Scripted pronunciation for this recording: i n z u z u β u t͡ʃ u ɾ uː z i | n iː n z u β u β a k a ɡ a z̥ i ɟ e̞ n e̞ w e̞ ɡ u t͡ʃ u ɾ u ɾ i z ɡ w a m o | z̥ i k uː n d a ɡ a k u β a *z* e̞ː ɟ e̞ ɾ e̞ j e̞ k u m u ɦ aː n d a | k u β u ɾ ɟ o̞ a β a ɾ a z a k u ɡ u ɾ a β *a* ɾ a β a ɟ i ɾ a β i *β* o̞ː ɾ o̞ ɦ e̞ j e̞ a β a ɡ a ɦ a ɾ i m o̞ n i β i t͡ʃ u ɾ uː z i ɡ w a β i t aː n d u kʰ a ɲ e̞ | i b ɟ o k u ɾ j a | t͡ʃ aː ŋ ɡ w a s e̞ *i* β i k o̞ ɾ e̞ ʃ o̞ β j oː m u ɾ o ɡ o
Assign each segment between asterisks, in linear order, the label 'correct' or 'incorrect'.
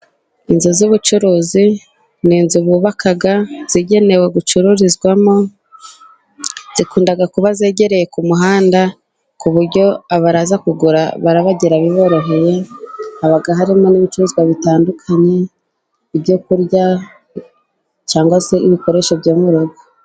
correct, correct, correct, correct

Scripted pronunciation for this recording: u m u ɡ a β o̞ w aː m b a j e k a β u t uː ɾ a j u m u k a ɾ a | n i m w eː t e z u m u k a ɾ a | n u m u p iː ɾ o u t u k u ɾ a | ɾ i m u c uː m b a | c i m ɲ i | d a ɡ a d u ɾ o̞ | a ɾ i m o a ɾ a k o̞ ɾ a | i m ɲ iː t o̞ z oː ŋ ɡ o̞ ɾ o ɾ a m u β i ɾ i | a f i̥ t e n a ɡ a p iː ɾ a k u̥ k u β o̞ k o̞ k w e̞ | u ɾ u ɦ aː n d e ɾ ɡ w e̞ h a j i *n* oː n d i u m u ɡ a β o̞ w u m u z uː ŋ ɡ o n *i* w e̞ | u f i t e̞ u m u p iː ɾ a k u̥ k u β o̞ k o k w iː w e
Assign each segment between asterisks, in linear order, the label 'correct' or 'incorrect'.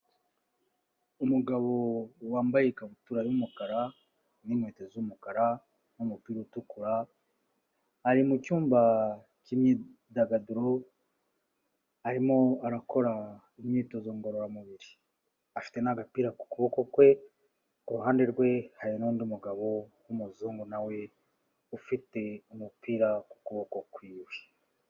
correct, incorrect

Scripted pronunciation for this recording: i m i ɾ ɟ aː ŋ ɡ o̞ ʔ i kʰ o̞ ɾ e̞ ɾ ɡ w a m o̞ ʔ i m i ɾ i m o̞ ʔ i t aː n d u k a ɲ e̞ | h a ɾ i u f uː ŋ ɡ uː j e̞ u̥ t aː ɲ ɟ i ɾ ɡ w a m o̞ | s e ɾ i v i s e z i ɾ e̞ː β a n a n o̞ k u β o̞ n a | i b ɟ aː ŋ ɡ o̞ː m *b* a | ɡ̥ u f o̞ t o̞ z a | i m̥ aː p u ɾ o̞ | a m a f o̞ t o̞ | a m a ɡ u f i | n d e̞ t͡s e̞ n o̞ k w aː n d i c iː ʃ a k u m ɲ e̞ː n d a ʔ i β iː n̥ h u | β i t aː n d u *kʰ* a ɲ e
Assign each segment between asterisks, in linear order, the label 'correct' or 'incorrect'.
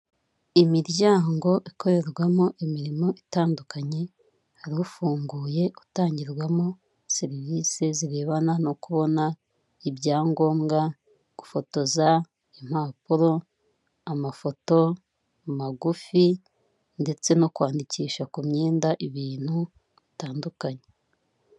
incorrect, incorrect

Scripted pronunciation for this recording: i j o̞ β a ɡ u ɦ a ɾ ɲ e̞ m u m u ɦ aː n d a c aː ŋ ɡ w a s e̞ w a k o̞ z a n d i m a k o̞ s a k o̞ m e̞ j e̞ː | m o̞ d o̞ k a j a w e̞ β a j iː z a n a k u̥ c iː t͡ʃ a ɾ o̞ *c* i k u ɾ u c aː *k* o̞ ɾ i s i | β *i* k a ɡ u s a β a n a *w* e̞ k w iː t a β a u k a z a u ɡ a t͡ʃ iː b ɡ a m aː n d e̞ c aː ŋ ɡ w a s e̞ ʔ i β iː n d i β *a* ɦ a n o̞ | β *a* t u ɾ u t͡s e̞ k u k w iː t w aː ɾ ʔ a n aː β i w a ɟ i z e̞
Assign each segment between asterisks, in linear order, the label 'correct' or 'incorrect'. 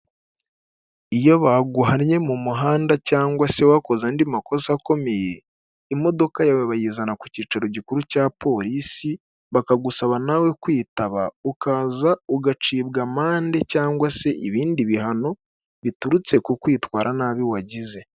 incorrect, incorrect, incorrect, correct, incorrect, incorrect

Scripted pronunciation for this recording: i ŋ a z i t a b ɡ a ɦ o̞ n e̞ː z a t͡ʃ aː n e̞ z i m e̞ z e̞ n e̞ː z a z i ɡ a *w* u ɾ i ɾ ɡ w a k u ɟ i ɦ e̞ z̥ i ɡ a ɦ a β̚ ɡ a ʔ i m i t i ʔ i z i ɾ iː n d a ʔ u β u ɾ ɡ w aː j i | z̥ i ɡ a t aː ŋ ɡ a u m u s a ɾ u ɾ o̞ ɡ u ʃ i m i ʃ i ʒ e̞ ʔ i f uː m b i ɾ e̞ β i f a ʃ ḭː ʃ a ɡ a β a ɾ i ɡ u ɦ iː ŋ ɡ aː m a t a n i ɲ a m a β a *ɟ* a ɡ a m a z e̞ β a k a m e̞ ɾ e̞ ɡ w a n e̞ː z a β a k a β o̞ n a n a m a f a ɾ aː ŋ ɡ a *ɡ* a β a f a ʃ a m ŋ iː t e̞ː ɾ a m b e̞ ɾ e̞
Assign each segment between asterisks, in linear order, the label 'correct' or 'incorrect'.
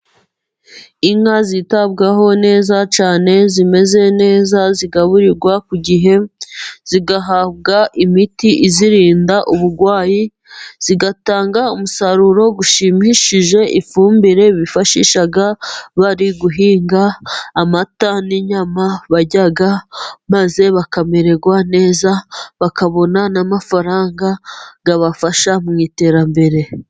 incorrect, correct, correct

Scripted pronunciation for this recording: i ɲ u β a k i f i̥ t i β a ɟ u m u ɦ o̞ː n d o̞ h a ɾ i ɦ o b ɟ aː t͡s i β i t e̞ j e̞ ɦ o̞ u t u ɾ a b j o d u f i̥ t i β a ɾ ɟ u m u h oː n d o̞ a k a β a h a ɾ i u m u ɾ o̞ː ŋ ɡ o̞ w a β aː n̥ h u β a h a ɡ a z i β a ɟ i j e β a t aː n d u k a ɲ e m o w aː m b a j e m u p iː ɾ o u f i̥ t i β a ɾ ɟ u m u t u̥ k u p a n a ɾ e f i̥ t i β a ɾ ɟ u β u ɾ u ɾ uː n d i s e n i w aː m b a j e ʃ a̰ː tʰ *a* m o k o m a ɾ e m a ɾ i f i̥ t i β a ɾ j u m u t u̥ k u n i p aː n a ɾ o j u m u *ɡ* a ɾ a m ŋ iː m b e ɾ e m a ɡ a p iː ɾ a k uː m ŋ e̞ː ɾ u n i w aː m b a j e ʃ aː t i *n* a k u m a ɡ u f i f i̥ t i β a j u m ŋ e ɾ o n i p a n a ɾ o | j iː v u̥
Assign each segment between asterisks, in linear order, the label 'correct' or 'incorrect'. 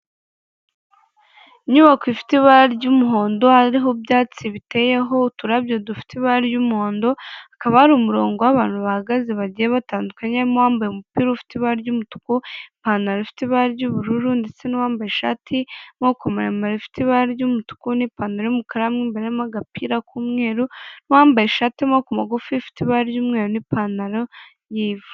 incorrect, incorrect, incorrect

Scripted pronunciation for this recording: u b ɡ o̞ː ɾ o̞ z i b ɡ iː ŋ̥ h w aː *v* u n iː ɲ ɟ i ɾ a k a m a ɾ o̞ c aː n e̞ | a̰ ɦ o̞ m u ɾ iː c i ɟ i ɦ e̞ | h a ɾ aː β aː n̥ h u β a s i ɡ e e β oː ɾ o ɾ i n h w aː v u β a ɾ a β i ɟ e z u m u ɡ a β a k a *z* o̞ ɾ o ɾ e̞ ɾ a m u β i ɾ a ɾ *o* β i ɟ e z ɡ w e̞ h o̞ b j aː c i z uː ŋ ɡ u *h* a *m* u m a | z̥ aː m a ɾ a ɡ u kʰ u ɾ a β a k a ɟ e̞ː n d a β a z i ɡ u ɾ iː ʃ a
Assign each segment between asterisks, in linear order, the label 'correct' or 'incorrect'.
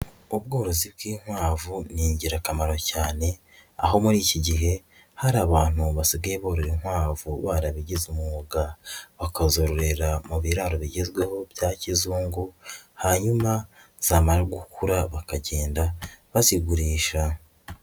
correct, correct, correct, correct, incorrect

